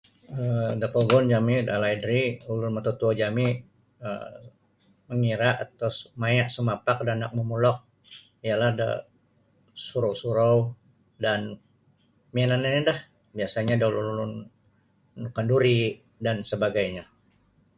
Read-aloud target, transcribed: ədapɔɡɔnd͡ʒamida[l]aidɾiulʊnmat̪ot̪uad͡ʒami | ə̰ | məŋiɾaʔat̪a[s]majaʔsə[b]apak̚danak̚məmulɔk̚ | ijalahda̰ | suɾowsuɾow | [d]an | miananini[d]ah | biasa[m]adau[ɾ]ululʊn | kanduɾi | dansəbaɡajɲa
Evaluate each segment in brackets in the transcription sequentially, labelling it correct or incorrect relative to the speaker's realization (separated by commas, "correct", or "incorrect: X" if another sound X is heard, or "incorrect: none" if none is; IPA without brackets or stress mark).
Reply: correct, correct, incorrect: m, correct, correct, incorrect: ɲ, incorrect: l